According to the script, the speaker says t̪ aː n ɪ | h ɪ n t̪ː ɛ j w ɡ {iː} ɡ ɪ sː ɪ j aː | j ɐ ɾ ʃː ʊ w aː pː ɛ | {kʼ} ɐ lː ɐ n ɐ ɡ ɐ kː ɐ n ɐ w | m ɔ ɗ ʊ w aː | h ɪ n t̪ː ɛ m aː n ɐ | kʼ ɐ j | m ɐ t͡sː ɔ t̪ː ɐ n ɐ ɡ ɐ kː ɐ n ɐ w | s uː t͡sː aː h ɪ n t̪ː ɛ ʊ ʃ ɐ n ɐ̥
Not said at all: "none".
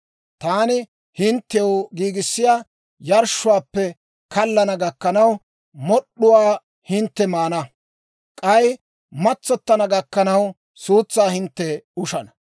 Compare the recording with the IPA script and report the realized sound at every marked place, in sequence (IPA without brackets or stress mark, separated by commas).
iː, k